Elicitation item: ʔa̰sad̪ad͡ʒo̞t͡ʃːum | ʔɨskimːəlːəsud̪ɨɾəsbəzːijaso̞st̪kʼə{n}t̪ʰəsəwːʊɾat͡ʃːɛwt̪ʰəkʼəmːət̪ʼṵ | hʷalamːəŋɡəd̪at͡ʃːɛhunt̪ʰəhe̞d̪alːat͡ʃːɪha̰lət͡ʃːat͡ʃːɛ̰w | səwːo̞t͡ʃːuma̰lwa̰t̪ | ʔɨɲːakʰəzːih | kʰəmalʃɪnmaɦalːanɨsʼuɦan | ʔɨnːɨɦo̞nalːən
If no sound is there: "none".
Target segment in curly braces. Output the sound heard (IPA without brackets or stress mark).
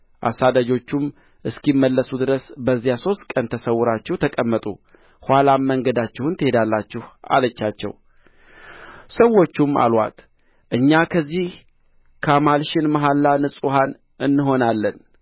n